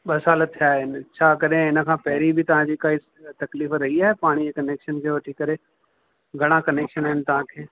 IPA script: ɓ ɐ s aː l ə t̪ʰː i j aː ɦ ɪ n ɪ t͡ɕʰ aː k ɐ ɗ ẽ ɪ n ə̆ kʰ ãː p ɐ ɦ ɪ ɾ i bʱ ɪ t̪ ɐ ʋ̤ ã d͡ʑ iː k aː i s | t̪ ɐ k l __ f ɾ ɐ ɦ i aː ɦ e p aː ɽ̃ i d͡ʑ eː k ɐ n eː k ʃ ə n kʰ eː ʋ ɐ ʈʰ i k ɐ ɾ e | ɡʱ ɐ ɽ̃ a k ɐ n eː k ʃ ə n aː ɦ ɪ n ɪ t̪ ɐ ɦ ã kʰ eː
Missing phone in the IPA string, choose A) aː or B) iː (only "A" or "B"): B